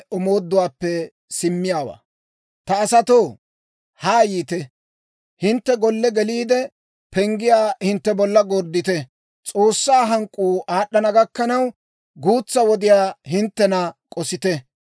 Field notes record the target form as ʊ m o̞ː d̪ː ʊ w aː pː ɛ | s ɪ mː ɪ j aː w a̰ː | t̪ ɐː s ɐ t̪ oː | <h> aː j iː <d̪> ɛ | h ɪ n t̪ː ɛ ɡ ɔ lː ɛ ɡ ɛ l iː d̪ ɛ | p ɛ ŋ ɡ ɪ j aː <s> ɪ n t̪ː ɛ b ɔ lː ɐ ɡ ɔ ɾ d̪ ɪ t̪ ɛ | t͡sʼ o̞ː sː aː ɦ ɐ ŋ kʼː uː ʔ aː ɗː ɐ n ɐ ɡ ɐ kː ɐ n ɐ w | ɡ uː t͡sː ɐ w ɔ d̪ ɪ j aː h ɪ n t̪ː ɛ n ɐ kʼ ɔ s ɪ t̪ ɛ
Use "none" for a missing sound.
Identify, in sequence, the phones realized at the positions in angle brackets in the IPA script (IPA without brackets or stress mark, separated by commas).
h, t̪, h